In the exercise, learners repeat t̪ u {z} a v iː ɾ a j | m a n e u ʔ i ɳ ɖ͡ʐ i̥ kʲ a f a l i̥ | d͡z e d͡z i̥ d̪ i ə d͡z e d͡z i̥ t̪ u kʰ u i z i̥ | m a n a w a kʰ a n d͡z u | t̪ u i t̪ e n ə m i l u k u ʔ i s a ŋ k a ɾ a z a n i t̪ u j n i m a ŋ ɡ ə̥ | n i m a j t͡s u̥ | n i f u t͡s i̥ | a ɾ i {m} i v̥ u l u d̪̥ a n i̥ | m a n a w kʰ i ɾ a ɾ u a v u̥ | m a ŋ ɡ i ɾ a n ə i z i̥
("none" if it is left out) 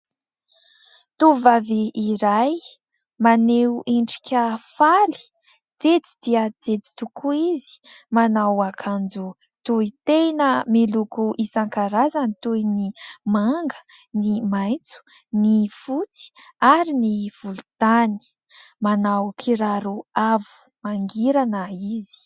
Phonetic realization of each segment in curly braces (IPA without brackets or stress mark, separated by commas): v, n